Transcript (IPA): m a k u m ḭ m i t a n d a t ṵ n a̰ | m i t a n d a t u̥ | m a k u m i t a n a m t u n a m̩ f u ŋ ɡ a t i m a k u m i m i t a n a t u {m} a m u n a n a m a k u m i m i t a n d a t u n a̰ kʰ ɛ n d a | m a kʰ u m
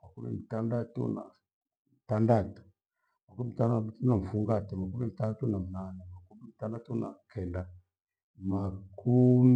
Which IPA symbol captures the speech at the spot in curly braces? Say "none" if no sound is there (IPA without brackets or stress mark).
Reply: n